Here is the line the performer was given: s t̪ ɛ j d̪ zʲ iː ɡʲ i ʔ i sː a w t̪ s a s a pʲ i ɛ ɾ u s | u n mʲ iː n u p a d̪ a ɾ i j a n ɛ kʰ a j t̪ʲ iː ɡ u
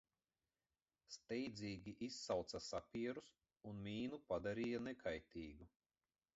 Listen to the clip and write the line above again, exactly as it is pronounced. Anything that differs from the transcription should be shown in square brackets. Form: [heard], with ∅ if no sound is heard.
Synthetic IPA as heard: s t̪ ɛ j d̪ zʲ iː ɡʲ i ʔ i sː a w t̪ s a s a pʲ i ɛ ɾ u s | u n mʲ iː n u p a d̪ a ɾ i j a n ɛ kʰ a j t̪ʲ iː ɡ u